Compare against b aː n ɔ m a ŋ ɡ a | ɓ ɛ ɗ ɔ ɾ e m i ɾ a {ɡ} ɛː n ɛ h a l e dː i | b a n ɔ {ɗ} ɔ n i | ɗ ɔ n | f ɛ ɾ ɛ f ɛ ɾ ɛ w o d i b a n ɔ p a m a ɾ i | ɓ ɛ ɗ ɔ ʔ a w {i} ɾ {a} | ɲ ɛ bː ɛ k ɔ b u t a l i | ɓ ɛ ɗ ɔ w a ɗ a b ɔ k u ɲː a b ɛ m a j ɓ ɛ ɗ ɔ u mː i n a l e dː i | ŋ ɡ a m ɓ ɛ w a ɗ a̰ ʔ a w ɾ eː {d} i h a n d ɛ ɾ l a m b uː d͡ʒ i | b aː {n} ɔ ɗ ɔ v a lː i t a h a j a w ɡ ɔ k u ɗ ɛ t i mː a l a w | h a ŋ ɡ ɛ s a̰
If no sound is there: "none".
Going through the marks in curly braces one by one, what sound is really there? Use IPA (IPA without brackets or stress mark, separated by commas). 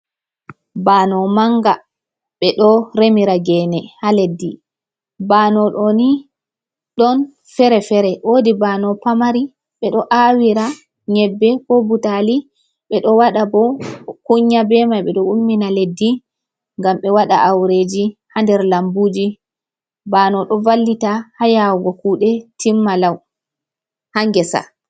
ɡ, ɗ, i, a, d͡ʒ, n